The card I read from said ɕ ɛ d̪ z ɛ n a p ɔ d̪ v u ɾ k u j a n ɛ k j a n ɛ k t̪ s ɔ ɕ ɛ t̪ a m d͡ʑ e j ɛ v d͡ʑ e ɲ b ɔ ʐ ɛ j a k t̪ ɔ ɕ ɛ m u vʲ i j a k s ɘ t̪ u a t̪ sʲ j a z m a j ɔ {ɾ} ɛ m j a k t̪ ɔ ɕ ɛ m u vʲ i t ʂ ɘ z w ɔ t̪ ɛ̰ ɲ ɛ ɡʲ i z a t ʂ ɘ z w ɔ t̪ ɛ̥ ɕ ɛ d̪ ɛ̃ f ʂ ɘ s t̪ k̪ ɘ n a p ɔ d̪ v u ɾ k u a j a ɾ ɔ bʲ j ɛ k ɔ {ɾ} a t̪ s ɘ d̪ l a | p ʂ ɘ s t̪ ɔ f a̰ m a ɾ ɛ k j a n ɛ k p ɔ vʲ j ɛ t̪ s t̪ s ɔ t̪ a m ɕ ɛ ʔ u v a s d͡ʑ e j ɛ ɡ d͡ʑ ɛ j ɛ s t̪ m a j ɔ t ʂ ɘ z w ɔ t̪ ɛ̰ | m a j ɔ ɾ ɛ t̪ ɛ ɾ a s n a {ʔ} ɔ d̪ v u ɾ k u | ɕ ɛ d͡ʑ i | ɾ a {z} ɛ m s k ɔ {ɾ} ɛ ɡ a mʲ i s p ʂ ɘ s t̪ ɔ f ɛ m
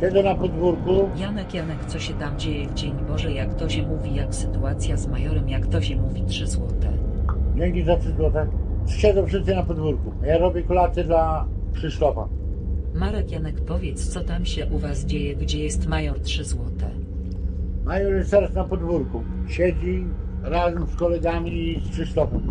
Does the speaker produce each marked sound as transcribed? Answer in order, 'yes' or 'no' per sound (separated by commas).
yes, no, no, yes, no